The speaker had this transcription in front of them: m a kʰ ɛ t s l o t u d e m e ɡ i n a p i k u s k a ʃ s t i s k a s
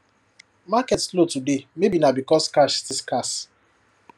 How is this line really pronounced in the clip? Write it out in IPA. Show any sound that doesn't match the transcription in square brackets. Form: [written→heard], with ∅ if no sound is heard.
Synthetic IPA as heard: m a [kʰ→k] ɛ t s l o t u d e m e [ɡ→b] i n a [p→b] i k [u→ɔ] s k a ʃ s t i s k a s